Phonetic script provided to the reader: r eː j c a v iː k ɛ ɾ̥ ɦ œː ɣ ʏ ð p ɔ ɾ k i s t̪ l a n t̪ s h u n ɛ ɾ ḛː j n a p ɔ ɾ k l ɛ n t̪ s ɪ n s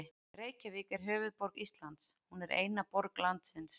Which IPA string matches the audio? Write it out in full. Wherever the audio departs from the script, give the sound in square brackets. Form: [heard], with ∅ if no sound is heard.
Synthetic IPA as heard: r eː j c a v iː k ɛ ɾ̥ ɦ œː [v] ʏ ð p ɔ ɾ k i s t̪ l a n t̪ s h u n ɛ ɾ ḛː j n a p ɔ ɾ k l [a] n t̪ s ɪ n s